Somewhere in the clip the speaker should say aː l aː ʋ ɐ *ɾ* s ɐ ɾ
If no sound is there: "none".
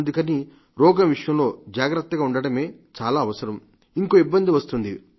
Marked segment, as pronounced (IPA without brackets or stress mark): none